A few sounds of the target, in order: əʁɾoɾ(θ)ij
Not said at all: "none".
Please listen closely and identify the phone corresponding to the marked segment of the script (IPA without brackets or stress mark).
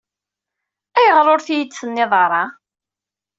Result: θ